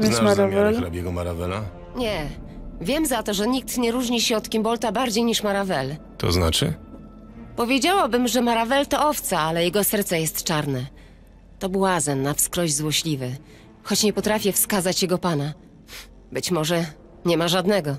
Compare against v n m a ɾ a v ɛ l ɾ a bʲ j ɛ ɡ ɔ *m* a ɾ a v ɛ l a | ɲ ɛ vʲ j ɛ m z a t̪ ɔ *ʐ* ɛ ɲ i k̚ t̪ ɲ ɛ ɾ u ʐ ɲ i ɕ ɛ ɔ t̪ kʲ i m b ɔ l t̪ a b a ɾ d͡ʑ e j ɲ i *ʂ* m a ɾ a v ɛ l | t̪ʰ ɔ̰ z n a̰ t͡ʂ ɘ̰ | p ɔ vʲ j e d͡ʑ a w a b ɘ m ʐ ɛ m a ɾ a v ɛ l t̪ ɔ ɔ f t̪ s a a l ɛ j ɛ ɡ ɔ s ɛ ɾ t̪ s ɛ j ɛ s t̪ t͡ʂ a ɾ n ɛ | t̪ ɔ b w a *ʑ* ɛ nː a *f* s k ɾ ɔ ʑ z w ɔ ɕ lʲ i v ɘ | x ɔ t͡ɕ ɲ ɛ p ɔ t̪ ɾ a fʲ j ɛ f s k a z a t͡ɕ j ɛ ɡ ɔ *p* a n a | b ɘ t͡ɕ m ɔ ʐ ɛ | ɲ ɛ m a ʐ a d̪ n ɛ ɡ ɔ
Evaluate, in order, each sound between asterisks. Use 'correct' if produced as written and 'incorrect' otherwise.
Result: correct, correct, correct, incorrect, correct, correct

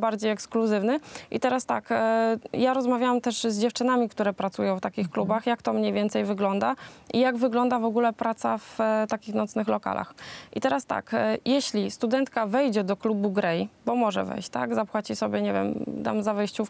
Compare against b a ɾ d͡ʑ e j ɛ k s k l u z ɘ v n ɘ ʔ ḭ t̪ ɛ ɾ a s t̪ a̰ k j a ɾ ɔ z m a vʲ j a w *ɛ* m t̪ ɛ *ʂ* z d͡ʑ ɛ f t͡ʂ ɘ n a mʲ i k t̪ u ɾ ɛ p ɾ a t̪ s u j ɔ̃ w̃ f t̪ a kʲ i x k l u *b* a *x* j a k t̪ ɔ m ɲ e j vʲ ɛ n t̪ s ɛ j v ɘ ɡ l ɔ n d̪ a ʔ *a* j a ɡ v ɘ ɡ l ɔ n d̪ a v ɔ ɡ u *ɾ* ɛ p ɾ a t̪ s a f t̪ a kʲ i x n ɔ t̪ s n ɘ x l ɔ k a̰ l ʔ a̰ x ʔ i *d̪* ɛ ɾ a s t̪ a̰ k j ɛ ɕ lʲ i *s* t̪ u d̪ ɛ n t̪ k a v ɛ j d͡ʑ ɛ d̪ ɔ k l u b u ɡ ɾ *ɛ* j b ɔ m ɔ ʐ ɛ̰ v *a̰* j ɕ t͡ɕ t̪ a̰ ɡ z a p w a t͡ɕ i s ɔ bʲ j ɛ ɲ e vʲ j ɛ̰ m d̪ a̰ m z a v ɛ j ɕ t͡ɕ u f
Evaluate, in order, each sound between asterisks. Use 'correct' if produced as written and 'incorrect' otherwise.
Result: incorrect, correct, correct, correct, incorrect, incorrect, incorrect, correct, correct, incorrect

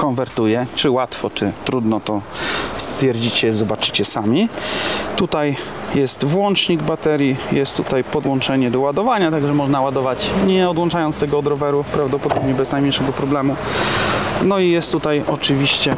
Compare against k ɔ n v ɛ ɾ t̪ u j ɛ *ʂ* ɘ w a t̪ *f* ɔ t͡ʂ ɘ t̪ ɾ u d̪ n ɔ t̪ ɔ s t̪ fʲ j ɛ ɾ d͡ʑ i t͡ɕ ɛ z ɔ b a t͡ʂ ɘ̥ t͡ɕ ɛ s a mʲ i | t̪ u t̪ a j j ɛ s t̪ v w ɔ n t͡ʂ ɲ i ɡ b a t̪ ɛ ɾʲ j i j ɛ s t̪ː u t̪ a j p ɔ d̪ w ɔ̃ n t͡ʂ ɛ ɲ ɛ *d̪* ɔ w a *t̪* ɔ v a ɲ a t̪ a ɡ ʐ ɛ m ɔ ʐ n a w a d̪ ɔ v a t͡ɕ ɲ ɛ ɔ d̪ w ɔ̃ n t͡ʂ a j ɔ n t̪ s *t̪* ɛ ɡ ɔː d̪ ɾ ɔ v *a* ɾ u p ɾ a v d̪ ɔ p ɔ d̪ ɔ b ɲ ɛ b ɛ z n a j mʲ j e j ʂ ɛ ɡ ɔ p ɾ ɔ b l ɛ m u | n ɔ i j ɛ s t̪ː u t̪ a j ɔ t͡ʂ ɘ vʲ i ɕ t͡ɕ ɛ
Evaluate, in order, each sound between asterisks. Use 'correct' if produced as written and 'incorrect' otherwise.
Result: incorrect, correct, correct, incorrect, correct, incorrect

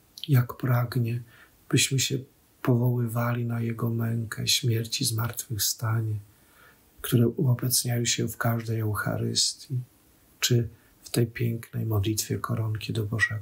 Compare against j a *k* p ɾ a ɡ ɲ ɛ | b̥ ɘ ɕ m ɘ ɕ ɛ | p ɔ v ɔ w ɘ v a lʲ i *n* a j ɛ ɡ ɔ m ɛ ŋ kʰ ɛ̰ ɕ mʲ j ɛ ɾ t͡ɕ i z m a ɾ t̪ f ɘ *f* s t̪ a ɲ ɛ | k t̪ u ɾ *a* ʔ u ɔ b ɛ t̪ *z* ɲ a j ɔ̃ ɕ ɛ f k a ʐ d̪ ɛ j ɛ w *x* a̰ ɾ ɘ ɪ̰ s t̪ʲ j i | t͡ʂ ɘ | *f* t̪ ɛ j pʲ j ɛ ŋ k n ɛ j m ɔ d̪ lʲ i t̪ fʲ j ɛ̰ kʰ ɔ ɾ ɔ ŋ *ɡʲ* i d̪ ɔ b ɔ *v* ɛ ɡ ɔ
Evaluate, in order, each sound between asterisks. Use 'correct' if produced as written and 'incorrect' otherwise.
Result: correct, correct, incorrect, incorrect, incorrect, correct, correct, incorrect, incorrect

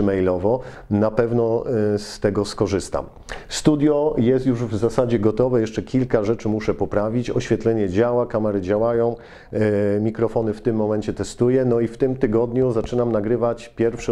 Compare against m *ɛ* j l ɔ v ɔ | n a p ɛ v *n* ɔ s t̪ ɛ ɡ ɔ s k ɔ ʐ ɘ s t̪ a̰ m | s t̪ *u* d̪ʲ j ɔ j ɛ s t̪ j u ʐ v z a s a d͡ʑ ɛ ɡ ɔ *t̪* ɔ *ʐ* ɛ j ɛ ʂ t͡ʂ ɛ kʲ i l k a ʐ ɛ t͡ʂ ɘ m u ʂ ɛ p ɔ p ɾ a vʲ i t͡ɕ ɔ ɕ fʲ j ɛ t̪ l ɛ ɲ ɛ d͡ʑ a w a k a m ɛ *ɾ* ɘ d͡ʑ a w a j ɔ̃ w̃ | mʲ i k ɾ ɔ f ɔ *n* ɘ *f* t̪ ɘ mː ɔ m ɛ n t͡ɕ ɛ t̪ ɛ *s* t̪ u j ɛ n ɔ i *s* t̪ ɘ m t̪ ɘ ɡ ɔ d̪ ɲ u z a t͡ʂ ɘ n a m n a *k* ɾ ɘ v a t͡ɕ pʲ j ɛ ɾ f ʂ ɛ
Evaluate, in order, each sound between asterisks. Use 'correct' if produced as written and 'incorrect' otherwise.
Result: correct, correct, correct, correct, incorrect, correct, correct, correct, correct, incorrect, incorrect

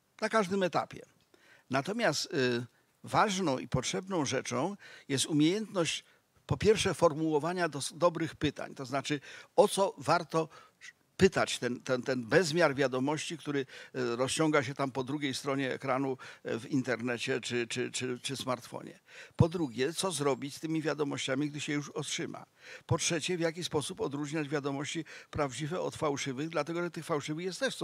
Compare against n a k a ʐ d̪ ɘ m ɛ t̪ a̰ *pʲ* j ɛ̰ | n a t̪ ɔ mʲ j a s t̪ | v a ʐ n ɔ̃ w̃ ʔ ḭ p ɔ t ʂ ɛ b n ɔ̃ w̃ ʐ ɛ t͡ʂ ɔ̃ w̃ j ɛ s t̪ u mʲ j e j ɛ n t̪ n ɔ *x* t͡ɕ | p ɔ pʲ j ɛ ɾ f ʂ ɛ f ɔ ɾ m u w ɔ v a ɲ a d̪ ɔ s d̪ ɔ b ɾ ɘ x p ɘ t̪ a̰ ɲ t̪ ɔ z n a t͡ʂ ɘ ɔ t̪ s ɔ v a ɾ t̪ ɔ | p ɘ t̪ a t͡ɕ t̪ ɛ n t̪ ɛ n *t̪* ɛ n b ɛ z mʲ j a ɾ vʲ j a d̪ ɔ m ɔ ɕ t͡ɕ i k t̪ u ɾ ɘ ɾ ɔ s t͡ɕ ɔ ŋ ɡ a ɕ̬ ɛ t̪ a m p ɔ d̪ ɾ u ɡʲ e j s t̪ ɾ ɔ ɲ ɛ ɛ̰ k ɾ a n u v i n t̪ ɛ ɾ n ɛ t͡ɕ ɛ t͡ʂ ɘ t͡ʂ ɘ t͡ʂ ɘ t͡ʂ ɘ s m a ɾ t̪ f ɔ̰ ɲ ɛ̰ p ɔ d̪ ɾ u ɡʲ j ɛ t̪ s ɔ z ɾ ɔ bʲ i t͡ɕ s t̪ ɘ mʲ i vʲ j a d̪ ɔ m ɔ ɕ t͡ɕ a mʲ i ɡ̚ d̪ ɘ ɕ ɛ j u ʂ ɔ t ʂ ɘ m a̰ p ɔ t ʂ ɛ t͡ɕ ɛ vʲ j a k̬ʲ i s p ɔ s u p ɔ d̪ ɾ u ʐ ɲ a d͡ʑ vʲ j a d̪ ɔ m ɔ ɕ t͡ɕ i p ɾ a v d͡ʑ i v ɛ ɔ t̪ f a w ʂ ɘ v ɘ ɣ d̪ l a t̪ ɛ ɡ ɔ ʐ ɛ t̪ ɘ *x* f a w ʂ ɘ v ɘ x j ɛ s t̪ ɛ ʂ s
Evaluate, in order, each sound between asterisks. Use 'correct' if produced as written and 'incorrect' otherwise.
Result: correct, incorrect, correct, correct

